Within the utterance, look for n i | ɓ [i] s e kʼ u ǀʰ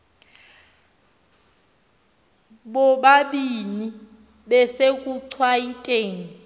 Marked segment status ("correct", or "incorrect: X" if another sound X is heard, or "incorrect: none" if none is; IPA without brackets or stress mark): incorrect: ɛ